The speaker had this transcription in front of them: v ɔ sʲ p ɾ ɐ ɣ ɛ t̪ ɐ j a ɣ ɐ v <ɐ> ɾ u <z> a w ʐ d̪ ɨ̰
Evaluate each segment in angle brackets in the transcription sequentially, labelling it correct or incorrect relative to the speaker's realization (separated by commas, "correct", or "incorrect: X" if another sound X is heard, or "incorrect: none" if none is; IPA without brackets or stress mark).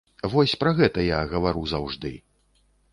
incorrect: a, correct